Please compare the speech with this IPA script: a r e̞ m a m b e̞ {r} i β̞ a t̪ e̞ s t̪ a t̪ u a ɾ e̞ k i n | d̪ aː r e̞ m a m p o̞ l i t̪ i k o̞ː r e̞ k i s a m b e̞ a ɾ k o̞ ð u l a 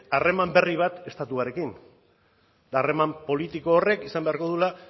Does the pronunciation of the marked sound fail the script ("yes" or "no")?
no